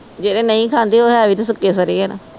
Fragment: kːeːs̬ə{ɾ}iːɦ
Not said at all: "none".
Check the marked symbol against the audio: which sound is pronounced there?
ɾ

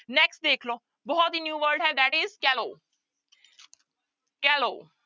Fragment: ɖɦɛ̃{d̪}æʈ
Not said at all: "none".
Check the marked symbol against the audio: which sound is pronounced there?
d̪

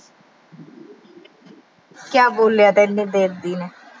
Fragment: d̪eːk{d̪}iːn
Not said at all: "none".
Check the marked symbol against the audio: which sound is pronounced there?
d̪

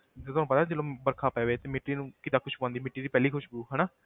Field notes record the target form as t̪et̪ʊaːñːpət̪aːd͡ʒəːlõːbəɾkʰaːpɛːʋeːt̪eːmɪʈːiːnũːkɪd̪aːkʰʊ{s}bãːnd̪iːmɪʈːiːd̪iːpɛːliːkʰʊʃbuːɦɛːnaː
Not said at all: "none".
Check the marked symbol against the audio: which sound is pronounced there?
ʃ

